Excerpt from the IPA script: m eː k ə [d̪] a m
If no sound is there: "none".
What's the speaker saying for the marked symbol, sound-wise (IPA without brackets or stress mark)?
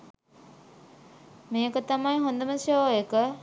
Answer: t̪